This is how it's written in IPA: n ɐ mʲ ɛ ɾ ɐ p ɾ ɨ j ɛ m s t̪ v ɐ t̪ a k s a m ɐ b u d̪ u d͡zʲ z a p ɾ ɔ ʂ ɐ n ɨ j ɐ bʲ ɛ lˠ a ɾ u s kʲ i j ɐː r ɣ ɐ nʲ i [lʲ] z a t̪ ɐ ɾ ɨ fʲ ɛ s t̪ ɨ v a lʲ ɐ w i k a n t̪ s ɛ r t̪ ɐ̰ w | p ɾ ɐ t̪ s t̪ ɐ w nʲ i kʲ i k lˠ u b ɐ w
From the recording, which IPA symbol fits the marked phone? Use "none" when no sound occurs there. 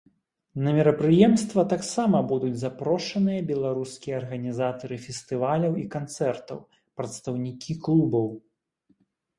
none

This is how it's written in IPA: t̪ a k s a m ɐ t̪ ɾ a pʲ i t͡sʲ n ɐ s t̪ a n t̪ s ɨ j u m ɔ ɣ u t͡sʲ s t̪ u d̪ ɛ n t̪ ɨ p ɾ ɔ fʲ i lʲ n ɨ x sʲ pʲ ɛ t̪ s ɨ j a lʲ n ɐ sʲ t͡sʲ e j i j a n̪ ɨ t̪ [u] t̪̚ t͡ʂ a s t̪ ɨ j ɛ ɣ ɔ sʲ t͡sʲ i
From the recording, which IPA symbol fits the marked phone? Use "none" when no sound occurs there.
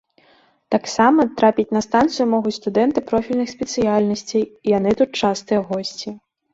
u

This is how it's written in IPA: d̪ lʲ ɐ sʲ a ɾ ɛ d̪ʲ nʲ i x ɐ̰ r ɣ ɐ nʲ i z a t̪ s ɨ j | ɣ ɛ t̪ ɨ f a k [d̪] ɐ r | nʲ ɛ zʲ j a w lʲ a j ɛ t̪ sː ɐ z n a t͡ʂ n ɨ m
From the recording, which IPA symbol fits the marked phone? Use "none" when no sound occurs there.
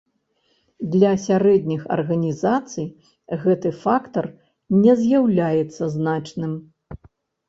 t̪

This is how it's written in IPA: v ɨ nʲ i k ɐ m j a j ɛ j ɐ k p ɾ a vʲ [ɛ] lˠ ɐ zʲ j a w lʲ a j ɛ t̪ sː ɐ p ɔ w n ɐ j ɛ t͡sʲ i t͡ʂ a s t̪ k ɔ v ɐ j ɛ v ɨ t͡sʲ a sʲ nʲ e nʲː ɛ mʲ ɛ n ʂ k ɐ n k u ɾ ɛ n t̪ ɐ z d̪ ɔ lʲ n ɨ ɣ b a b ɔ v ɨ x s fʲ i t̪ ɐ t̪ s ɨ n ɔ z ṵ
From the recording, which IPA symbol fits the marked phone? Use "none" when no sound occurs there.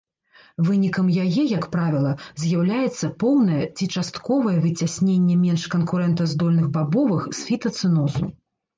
i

